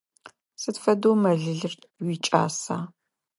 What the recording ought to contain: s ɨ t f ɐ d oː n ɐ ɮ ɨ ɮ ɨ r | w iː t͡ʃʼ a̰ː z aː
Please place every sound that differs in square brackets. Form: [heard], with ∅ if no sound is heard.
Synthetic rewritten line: s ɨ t f ɐ d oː [m] ɐ ɮ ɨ ɮ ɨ r | w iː t͡ʃʼ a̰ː [s] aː